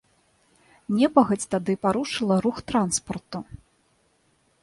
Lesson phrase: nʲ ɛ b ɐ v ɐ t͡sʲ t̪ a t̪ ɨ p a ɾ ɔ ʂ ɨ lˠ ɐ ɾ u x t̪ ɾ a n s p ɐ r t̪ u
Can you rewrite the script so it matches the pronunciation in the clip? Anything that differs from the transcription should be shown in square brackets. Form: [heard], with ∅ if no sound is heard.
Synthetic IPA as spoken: nʲ ɛ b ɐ [ɣ] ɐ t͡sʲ t̪ a [d̪] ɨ p a ɾ [u] ʂ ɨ lˠ ɐ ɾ u x t̪ ɾ a n s p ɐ r t̪ u